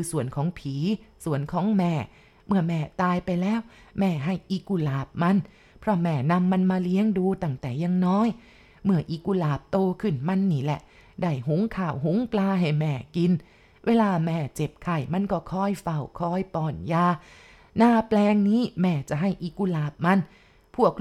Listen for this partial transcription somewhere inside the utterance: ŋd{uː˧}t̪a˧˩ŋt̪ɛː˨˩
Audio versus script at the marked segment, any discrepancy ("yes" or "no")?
no